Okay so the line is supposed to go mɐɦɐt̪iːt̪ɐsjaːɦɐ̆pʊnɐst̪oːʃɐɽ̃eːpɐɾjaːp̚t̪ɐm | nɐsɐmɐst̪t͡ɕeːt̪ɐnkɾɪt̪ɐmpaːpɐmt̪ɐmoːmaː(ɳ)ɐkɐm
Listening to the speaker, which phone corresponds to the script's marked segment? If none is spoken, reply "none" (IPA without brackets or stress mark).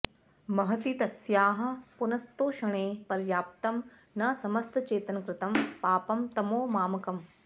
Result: m